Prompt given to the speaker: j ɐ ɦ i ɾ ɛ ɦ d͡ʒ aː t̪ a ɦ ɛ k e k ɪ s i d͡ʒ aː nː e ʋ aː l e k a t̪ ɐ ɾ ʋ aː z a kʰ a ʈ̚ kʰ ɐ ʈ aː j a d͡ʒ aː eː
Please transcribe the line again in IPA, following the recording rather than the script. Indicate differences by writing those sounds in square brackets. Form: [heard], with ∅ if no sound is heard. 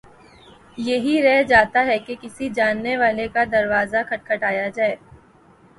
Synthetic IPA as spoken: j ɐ ɦ i ɾ ɛ ɦ d͡ʒ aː t̪ a ɦ ɛ k e k ɪ s i d͡ʒ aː nː e ʋ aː l e k a [d̪] ɐ ɾ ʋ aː z a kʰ [ɐ] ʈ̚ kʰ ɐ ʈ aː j a d͡ʒ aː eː